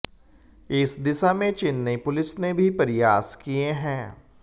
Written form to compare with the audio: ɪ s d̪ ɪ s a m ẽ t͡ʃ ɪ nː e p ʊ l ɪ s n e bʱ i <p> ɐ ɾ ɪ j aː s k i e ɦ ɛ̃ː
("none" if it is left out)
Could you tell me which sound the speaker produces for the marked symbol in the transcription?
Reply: p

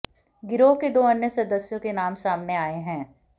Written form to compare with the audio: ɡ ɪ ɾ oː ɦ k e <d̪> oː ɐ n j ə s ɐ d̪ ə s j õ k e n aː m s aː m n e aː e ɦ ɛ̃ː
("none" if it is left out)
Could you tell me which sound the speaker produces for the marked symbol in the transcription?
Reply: d̪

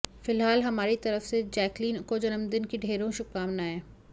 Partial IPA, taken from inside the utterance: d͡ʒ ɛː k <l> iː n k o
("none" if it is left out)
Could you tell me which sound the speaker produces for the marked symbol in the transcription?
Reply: l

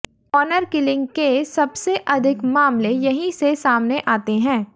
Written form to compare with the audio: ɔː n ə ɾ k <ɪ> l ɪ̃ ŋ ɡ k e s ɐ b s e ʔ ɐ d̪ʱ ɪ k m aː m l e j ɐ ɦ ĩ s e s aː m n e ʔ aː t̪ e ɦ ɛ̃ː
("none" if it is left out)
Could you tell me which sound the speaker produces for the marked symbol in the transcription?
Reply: ɪ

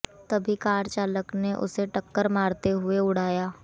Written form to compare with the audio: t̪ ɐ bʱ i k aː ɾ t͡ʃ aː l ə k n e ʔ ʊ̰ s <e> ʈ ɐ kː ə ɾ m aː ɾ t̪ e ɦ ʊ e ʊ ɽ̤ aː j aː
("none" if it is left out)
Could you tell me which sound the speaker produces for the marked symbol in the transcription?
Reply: e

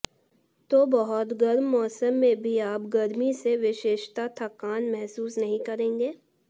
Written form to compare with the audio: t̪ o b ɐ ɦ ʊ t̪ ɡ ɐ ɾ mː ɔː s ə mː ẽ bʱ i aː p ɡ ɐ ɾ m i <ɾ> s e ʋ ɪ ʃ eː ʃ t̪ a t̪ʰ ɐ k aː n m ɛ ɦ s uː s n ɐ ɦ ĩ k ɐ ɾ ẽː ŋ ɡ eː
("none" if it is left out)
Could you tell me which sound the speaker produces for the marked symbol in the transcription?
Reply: none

